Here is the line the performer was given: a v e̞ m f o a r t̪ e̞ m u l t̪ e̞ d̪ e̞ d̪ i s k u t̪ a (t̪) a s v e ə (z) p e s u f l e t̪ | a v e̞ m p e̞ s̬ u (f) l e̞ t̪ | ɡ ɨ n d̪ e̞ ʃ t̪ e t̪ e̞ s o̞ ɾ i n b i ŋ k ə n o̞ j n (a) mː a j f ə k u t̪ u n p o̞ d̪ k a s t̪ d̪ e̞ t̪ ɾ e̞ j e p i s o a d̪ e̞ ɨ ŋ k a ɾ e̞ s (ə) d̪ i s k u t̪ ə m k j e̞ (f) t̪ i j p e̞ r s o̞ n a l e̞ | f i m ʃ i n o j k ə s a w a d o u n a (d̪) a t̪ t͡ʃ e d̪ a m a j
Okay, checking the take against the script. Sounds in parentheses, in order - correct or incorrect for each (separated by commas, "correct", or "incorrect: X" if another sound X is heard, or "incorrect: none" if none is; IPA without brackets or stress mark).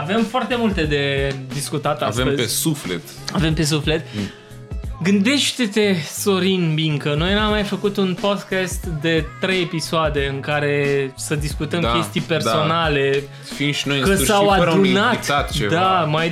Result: correct, correct, correct, correct, correct, incorrect: s, incorrect: t̪